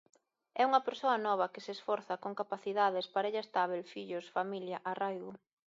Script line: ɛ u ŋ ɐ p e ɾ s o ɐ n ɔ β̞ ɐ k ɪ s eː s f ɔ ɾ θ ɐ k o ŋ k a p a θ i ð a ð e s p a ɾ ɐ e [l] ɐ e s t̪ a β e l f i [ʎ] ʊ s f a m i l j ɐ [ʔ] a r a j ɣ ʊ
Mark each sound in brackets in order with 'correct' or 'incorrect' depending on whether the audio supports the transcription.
incorrect, correct, correct

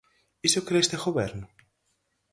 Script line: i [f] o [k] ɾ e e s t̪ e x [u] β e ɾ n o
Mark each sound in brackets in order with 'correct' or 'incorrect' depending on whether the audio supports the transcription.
incorrect, correct, incorrect

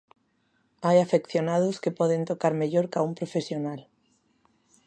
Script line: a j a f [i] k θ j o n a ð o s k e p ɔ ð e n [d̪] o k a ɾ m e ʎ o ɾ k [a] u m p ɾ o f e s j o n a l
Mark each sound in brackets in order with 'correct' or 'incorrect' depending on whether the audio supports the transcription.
incorrect, incorrect, correct

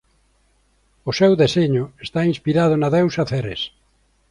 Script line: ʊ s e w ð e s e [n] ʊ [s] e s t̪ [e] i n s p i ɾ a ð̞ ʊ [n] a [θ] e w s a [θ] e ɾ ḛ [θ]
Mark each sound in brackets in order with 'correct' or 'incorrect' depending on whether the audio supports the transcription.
incorrect, incorrect, incorrect, correct, incorrect, correct, incorrect

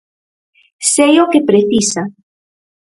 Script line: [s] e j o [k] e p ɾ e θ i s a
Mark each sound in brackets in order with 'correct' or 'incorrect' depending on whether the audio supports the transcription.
correct, correct

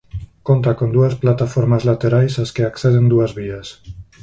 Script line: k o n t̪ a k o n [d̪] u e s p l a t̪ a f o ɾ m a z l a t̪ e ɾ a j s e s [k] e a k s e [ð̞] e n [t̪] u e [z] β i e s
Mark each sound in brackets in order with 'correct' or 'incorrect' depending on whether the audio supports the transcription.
correct, correct, correct, incorrect, correct

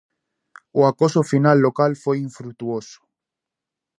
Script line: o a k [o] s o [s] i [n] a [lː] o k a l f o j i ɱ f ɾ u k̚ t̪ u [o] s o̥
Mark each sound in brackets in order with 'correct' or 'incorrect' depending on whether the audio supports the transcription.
correct, incorrect, correct, correct, correct

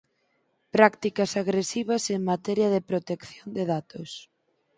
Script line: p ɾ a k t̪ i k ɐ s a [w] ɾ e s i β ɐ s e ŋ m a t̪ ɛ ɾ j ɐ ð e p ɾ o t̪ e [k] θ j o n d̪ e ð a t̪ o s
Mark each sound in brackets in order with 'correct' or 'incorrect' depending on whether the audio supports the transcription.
incorrect, correct

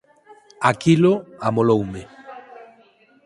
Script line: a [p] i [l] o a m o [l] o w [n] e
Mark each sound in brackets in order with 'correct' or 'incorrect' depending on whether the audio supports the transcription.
incorrect, correct, correct, incorrect

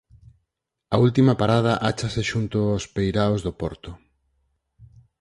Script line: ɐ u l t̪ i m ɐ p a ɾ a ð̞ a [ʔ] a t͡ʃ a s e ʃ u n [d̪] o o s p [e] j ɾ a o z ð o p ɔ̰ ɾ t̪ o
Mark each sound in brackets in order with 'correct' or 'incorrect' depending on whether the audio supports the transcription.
correct, incorrect, correct

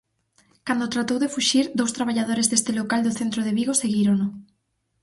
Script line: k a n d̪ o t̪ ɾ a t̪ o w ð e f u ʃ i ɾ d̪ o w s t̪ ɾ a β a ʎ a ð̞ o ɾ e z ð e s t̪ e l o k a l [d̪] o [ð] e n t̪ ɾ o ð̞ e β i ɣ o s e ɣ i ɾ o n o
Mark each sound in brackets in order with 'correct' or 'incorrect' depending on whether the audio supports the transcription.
correct, incorrect

